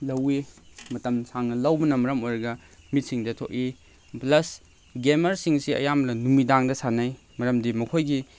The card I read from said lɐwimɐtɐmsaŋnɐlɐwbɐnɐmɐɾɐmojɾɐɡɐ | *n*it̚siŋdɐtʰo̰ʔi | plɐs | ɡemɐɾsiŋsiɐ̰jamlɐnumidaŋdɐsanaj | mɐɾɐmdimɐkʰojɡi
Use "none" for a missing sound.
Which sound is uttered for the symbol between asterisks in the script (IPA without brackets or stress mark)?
m